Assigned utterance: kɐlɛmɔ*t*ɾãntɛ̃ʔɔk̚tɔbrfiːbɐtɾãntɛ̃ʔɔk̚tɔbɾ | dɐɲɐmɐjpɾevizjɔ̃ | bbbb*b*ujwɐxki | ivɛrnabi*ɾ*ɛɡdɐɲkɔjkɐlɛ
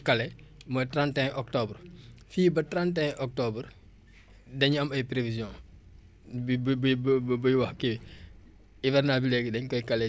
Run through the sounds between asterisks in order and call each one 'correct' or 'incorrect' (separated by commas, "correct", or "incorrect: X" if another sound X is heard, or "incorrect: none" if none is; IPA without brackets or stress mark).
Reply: correct, correct, incorrect: l